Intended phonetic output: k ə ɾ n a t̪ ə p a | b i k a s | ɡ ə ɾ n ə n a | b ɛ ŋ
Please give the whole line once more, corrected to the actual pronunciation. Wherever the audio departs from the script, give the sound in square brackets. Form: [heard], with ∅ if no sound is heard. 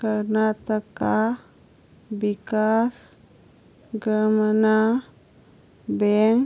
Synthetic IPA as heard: k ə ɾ n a t̪ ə [k] a | b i k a s | ɡ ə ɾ [m] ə n a | b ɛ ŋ